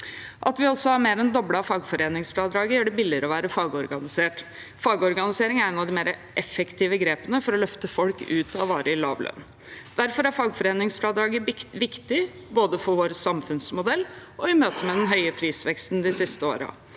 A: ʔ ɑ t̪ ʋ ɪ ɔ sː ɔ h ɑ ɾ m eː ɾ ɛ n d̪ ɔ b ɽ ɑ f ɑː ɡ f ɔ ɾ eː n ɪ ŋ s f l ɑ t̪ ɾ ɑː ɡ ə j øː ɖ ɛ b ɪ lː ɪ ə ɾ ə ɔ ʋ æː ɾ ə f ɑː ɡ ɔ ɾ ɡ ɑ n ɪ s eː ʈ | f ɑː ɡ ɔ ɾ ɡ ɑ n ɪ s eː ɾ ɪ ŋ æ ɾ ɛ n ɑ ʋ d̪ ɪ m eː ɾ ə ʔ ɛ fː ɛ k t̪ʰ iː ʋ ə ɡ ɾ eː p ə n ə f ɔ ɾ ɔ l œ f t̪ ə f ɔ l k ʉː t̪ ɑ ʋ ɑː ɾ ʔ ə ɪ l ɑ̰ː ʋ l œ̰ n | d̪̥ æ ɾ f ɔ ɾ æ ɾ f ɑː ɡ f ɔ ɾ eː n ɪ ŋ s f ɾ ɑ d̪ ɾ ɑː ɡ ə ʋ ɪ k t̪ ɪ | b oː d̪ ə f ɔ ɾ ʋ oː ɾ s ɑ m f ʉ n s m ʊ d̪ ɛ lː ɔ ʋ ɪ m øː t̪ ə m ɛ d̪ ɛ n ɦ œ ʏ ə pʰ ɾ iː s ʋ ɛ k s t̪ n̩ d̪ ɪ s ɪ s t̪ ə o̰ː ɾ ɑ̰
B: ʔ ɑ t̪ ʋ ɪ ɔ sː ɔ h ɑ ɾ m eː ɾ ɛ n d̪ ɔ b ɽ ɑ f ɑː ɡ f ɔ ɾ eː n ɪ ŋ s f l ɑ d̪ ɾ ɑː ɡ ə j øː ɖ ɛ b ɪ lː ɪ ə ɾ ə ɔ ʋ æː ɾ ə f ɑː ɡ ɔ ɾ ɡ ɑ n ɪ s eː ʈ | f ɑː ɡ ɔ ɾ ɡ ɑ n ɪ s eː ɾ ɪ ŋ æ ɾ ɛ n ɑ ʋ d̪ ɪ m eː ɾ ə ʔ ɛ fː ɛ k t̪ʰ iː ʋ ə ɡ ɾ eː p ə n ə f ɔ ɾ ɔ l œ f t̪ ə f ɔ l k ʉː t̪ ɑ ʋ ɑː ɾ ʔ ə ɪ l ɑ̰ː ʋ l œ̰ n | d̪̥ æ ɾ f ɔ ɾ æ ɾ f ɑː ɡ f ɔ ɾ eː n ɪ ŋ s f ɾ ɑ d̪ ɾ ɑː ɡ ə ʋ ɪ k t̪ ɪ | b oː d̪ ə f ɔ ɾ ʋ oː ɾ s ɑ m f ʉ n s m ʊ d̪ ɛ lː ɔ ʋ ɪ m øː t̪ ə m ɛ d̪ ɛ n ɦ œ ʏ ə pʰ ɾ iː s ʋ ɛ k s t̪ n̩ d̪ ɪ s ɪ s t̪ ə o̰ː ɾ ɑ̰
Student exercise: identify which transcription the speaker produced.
B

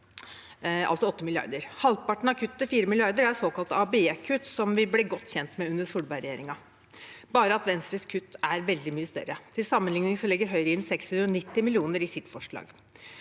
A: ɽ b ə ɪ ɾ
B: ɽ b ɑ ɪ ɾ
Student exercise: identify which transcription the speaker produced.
B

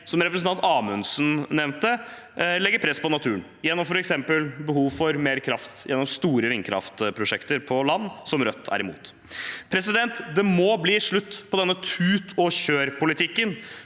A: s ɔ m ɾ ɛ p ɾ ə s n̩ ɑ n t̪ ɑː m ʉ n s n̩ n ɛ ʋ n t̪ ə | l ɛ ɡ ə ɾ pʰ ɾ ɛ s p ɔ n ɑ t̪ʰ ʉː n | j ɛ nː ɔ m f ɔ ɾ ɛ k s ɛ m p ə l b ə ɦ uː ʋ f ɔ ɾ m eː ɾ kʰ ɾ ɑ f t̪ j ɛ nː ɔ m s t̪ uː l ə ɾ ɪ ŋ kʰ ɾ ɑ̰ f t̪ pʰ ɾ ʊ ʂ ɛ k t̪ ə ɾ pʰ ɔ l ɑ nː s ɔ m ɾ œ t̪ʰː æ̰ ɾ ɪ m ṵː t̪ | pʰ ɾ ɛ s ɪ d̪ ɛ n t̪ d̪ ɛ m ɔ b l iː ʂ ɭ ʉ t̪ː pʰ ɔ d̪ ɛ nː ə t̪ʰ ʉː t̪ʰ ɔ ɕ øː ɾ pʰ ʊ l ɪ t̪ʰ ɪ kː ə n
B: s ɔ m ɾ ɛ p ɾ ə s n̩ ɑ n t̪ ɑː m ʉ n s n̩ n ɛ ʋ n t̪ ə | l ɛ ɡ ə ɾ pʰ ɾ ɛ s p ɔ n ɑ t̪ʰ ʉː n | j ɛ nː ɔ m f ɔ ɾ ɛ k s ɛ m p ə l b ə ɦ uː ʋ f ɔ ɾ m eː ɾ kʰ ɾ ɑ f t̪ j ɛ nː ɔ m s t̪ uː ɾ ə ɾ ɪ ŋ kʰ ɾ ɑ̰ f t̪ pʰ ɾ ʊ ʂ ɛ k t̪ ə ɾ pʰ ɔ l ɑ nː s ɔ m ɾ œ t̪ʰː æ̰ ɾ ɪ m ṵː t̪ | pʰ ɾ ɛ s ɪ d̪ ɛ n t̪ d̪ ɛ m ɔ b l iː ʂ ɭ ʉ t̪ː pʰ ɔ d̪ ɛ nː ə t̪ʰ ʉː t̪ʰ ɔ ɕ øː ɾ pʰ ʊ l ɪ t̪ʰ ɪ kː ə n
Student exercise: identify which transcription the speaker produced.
B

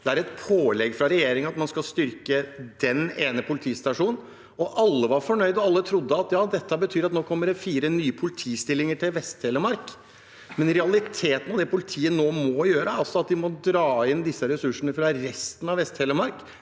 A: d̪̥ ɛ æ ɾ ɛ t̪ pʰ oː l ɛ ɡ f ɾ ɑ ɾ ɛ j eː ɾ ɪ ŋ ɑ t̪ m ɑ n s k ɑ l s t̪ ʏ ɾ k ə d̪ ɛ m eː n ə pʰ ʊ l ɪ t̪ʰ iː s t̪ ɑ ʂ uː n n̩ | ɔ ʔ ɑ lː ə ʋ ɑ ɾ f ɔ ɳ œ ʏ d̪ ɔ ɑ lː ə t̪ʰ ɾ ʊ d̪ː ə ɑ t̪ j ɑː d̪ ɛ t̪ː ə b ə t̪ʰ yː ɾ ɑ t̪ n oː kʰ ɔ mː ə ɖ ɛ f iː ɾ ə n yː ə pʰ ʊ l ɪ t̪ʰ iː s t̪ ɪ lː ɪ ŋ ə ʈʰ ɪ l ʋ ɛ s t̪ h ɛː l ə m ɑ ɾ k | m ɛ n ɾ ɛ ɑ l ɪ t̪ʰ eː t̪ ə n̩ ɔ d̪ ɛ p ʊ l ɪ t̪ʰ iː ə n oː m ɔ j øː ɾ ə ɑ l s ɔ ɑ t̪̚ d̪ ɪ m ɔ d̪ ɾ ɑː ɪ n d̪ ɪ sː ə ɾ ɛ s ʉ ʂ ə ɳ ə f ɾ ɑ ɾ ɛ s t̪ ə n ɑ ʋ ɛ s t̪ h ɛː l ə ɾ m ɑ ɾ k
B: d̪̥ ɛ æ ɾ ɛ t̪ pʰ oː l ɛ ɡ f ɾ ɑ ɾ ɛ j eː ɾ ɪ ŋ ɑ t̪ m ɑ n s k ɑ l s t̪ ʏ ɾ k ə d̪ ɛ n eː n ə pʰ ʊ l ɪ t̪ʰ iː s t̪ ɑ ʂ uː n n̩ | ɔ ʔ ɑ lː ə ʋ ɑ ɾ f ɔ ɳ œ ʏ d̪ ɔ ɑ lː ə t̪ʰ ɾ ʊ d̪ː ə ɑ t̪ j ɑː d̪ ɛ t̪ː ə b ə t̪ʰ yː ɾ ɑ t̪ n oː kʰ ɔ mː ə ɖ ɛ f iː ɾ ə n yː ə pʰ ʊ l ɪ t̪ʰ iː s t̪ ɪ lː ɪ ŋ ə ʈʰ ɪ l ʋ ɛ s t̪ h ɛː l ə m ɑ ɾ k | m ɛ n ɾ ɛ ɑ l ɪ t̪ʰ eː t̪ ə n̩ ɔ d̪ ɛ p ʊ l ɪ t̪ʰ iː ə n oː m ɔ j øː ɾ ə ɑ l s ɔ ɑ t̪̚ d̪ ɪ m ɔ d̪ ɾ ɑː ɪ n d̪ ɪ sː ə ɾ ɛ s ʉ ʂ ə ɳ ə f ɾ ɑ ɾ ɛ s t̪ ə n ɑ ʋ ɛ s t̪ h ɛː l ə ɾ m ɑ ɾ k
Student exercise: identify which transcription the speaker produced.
B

